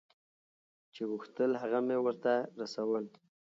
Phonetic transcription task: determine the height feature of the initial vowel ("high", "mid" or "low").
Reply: mid